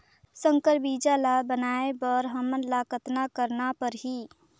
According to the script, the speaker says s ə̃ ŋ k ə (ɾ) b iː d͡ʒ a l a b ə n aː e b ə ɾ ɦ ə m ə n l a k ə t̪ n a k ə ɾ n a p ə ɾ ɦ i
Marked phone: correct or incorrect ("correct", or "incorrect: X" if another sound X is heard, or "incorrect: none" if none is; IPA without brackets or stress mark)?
correct